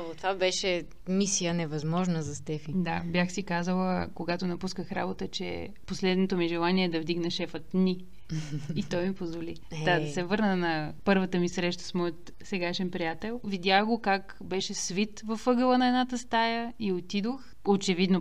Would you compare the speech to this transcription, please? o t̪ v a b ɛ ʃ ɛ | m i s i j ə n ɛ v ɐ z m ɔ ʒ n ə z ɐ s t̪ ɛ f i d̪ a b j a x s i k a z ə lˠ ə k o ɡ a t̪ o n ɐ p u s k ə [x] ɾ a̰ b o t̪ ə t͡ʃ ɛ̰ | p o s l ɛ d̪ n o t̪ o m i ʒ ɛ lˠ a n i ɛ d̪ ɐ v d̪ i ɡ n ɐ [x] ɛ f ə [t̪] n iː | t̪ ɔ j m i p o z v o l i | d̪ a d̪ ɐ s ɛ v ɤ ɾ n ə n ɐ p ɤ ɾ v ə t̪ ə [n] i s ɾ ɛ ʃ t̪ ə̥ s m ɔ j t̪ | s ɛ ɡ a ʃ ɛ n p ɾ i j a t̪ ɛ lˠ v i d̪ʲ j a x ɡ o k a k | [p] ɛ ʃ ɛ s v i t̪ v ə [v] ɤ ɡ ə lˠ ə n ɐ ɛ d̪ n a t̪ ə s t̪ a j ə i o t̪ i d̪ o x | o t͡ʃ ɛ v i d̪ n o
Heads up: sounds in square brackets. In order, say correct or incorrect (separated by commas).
correct, incorrect, correct, incorrect, incorrect, incorrect